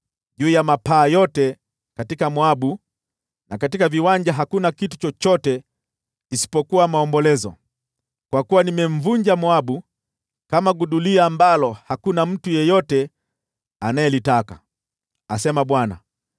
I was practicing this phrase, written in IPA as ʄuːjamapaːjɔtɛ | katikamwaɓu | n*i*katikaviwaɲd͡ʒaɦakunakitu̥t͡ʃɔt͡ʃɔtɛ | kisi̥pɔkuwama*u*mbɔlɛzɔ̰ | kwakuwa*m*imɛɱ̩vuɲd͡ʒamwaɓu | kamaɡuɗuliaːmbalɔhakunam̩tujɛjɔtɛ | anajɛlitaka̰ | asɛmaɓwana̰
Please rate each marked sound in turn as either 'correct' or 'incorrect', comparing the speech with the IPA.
incorrect, incorrect, incorrect

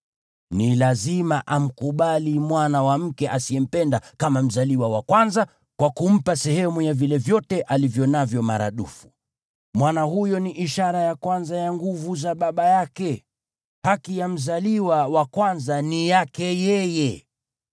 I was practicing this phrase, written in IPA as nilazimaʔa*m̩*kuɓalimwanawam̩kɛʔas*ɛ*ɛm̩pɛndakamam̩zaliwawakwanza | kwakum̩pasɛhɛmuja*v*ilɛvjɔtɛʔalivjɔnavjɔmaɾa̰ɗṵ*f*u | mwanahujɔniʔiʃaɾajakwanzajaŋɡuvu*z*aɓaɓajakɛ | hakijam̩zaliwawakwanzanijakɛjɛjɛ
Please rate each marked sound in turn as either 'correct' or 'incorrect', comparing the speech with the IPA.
correct, incorrect, correct, correct, correct

